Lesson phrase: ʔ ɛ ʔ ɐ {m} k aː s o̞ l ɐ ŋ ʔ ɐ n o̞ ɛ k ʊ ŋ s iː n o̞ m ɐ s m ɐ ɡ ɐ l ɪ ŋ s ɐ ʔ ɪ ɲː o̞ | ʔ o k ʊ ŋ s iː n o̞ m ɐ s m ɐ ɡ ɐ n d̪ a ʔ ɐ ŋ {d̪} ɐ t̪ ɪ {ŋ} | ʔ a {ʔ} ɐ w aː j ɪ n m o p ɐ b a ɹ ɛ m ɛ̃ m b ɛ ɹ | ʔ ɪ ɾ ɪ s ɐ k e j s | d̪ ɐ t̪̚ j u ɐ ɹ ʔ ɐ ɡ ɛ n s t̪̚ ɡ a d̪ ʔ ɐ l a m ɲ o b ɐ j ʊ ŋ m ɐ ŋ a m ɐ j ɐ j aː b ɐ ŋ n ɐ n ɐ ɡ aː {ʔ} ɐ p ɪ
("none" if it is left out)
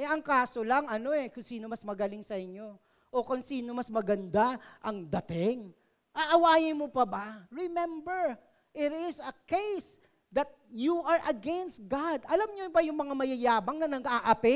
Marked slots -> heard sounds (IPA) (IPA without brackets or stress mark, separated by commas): ŋ, d̪, ŋ, ʔ, ʔ